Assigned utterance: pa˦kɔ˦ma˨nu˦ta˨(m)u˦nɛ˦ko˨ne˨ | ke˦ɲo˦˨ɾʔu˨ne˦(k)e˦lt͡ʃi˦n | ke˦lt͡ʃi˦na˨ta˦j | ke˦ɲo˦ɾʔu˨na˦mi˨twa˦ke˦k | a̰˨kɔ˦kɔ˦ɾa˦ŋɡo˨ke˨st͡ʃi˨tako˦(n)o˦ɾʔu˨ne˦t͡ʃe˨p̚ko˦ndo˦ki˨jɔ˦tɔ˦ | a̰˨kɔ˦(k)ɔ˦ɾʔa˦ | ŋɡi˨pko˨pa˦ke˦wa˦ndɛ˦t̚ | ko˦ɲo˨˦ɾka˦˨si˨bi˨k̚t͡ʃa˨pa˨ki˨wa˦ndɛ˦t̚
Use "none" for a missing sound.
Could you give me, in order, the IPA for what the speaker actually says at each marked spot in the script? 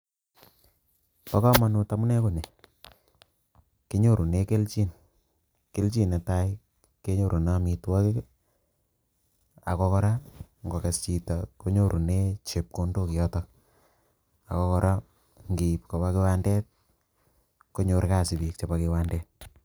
m, k, ɲ, k

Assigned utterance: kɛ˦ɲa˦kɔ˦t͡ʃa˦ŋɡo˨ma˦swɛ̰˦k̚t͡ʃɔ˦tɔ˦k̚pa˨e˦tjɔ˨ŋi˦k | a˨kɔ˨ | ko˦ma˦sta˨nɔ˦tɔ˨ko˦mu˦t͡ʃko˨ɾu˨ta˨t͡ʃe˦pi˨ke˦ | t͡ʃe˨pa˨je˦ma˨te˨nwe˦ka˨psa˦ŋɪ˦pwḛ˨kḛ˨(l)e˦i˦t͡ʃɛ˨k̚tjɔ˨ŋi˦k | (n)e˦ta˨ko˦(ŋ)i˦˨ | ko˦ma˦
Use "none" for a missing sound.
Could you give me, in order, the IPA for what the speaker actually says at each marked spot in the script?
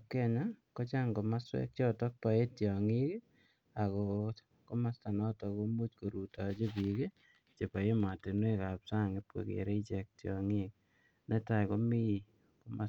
ɾ, n, m

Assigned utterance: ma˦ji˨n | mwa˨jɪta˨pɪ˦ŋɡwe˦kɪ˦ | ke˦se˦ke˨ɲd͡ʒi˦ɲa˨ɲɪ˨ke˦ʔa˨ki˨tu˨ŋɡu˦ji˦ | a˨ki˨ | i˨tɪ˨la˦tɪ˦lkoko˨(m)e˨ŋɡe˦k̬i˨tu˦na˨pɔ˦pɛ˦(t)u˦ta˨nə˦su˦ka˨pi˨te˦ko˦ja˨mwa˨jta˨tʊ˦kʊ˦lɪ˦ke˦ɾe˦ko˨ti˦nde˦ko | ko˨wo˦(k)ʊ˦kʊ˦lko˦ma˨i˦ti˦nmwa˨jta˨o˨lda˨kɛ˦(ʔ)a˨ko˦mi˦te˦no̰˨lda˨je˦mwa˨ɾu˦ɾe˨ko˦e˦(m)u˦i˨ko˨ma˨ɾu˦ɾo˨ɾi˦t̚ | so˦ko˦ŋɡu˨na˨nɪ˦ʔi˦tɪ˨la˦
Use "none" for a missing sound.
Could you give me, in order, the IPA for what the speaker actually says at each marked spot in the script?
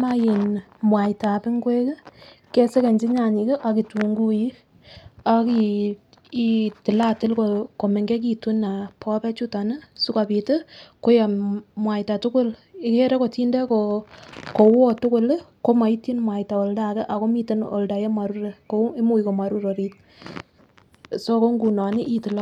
m, t͡ʃ, t, ʔ, m

